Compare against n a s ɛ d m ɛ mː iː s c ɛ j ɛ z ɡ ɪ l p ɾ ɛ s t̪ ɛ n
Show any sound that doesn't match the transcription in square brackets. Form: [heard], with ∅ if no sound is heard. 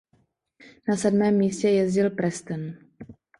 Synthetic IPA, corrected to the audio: n a s ɛ d m [ɛː] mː iː s c ɛ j ɛ z [ɟ] ɪ l p ɾ ɛ s t̪ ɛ n